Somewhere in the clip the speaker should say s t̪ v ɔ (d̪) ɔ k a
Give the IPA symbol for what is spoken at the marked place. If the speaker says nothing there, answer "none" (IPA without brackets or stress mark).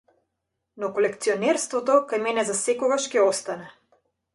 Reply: t̪